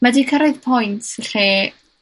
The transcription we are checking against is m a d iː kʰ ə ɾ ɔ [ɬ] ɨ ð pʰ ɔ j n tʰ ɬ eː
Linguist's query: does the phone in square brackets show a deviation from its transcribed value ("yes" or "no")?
yes